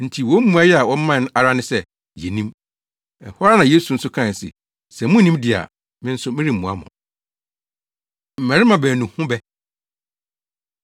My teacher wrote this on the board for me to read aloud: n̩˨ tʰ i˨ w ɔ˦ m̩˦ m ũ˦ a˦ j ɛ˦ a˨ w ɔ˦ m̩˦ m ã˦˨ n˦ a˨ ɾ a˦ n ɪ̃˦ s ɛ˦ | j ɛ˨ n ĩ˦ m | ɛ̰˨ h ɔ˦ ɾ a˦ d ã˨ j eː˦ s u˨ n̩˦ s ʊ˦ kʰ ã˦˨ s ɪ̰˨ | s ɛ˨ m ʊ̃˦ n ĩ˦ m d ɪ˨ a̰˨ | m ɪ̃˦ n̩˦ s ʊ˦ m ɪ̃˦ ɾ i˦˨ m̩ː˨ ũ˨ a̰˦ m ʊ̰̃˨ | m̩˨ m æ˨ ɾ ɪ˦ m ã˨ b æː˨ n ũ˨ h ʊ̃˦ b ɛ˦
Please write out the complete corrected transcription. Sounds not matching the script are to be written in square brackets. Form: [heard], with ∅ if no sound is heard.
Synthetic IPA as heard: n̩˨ tʰ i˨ w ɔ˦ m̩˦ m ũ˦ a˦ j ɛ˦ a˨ w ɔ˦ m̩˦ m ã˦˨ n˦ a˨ ɾ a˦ n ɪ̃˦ s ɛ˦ | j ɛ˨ n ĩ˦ m | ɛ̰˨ h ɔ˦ ɾ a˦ [n] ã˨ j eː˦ s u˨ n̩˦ s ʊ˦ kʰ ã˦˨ s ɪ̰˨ | s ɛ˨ m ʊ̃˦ n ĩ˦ m d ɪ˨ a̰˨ | m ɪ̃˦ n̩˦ s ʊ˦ m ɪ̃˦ ɾ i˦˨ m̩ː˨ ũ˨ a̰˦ m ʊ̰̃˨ | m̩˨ m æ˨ ɾ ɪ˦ m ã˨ b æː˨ n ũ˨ h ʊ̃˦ b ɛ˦